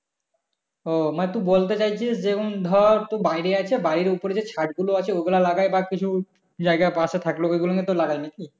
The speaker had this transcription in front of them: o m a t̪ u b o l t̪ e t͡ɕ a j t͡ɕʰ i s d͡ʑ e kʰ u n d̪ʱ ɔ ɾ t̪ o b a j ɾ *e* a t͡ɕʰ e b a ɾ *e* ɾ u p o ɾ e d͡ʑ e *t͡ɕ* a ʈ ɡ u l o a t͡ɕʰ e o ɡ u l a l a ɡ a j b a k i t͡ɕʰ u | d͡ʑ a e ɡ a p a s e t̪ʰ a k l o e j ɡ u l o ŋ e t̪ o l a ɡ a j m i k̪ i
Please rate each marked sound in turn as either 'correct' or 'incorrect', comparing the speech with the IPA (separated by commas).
correct, incorrect, incorrect